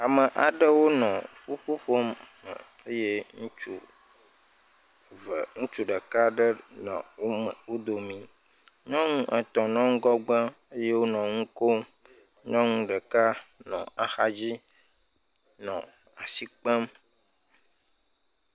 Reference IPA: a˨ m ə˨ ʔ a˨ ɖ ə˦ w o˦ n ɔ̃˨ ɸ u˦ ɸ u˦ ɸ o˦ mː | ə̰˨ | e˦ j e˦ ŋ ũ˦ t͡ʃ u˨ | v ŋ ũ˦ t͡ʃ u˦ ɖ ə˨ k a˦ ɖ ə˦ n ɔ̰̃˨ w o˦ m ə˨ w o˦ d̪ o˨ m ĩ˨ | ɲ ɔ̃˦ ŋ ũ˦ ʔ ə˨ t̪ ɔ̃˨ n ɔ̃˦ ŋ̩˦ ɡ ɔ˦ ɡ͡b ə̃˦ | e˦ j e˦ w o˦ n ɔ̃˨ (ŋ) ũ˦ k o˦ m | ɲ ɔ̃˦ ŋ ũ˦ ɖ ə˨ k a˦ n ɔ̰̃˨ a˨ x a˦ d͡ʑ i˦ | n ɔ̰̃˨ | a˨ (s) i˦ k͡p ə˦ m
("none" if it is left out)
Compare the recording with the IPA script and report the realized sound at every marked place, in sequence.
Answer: ŋ, s

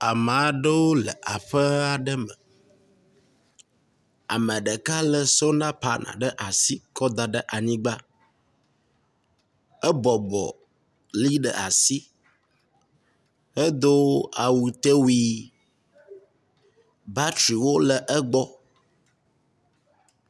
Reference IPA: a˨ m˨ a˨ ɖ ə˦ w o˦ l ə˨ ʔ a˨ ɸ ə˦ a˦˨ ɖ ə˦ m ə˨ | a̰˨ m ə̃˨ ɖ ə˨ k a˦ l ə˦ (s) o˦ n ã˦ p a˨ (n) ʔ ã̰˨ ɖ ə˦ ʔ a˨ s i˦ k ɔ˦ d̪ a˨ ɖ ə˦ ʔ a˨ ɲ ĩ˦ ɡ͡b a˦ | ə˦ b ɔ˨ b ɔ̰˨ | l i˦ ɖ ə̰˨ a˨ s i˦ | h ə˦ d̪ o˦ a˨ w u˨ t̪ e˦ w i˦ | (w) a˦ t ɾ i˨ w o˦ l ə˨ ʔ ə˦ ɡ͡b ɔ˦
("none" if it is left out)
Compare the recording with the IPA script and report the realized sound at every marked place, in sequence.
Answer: s, n, b

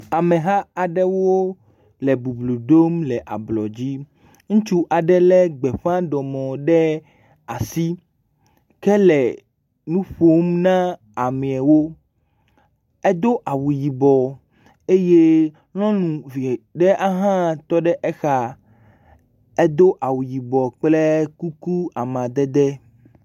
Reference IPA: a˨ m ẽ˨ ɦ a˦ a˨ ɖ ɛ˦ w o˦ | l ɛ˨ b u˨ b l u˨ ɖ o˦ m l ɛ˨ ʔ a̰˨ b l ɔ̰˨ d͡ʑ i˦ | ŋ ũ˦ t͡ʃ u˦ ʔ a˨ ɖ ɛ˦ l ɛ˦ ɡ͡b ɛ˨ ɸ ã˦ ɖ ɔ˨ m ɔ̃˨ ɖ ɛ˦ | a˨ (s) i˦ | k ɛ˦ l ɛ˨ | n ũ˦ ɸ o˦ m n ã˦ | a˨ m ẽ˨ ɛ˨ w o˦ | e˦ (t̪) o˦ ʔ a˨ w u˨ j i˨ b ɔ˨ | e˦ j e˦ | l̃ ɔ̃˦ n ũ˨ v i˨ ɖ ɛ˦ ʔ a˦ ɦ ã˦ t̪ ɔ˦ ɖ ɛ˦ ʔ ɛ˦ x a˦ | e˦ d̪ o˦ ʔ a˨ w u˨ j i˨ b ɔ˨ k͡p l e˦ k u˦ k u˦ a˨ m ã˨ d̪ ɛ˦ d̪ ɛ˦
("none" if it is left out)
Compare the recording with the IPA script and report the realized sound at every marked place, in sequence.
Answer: s, d̪

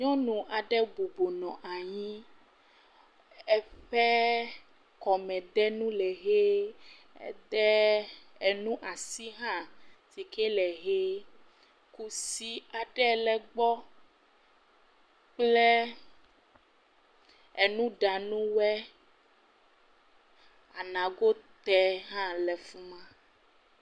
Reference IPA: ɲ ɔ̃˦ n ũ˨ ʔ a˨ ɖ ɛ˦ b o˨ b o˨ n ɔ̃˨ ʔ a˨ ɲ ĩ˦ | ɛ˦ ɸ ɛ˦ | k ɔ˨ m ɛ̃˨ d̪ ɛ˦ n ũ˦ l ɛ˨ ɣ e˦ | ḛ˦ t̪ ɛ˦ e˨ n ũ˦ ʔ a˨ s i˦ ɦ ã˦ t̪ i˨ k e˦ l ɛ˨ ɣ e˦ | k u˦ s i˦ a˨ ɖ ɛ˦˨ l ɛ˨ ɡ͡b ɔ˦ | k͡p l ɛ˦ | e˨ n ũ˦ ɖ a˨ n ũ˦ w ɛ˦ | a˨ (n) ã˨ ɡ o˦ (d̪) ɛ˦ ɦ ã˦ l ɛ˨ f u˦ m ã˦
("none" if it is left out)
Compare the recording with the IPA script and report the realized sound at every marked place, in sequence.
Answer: n, t̪

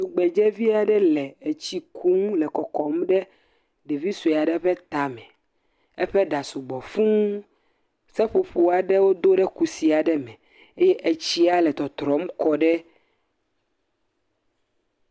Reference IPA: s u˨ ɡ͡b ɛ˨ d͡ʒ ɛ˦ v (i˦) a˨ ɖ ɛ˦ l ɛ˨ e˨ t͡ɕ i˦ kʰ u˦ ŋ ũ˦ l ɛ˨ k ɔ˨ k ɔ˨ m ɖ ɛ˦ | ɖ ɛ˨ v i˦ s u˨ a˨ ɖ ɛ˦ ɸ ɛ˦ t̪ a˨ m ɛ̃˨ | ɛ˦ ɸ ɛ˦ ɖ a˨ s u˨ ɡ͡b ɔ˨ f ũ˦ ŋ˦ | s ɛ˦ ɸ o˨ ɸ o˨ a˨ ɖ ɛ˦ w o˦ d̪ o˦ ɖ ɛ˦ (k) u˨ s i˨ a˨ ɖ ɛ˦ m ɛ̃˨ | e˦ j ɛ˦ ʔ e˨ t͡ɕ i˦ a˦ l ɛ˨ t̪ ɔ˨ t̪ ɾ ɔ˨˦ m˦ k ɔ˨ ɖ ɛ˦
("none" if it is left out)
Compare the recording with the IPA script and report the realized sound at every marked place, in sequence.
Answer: i˦, k

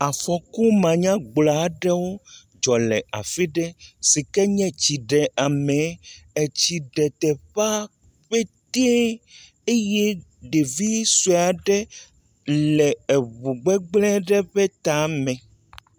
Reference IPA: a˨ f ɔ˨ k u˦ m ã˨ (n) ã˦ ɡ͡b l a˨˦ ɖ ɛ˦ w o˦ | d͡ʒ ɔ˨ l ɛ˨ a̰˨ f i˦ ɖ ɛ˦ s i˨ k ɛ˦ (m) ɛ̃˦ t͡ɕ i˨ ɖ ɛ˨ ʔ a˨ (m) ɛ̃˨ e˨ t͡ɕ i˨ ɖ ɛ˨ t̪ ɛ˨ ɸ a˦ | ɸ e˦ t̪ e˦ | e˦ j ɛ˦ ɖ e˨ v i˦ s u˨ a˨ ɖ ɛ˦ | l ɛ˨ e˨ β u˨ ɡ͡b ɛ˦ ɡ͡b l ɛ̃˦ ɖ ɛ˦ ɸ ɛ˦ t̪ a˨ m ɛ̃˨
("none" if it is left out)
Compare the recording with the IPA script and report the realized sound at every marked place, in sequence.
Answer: ɲ, ɲ, m

